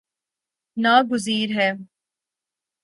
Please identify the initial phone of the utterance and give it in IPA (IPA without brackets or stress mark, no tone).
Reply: n